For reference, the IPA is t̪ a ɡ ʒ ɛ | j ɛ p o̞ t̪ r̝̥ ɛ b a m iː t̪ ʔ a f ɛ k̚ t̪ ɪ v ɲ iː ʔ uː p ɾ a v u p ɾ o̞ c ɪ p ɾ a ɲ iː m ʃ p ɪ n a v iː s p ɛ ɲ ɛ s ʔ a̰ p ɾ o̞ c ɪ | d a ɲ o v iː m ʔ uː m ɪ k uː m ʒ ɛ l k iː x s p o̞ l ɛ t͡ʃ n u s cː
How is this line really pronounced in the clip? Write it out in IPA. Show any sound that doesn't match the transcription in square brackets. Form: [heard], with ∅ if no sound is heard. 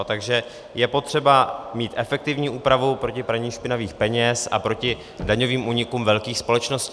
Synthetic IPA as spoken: t̪ a ɡ ʒ ɛ | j ɛ p o̞ t̪ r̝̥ ɛ b a m iː t̪ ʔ [ɛ] f ɛ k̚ t̪ ɪ v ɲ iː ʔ uː p ɾ a v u p ɾ o̞ c ɪ p ɾ a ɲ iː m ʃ p ɪ n a v iː [x] p ɛ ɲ ɛ s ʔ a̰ p ɾ o̞ c ɪ | d a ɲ o v iː m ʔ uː [ɲ] ɪ k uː m [v] ɛ l k iː x s p o̞ l ɛ t͡ʃ n [o] s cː